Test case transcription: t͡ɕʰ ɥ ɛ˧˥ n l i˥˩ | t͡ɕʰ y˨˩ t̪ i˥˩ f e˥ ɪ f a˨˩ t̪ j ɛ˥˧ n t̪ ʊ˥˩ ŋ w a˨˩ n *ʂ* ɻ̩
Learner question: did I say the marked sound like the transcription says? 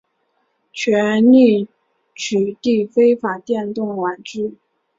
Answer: no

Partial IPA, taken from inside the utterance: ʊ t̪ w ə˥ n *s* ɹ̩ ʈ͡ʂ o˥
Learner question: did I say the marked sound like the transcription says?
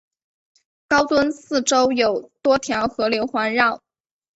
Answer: yes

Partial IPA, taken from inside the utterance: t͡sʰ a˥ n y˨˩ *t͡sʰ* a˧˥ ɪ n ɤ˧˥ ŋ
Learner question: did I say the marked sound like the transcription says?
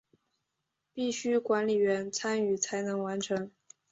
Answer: yes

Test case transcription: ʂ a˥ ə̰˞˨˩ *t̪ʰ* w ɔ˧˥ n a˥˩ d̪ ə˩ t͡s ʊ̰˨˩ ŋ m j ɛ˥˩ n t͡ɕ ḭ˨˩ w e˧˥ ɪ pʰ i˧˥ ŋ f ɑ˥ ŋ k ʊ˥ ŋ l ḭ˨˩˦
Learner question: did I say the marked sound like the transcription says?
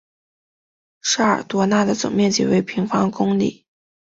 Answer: no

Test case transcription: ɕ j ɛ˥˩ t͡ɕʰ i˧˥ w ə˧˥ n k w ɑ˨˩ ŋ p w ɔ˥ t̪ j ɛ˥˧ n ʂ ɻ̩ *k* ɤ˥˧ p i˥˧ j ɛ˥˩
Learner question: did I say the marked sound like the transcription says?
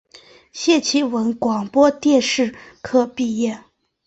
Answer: no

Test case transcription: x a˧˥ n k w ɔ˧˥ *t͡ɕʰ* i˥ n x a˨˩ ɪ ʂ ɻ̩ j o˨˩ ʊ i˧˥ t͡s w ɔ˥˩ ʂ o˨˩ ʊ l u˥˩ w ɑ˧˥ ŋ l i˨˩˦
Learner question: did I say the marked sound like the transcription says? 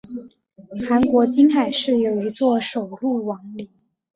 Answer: no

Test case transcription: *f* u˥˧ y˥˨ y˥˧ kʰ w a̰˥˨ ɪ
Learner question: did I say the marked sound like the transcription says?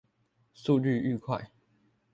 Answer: no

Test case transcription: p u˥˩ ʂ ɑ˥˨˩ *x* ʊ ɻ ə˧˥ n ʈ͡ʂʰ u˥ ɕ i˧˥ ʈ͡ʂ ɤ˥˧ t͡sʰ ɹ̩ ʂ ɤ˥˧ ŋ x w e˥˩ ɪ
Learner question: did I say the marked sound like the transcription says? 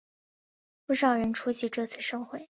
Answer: no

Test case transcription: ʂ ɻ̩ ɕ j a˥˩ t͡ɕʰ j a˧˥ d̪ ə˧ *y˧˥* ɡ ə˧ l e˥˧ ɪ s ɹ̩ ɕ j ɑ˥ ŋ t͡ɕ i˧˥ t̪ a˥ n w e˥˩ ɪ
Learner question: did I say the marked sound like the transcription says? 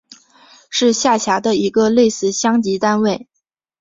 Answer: no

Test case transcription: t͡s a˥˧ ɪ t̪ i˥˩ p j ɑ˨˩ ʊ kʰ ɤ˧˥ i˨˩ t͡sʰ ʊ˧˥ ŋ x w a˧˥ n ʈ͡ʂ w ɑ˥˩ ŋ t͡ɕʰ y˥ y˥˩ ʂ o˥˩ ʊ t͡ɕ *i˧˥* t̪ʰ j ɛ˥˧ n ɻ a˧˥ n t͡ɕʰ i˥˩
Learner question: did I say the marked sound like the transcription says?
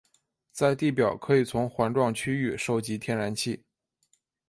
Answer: yes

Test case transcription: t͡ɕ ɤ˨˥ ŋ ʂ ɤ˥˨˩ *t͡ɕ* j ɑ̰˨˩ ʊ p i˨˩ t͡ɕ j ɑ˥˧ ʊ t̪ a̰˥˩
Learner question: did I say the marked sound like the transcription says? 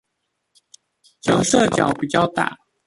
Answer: yes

